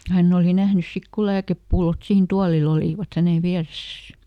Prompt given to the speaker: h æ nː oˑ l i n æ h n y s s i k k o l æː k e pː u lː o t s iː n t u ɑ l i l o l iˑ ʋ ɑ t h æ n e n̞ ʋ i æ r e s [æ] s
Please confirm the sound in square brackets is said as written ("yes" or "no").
yes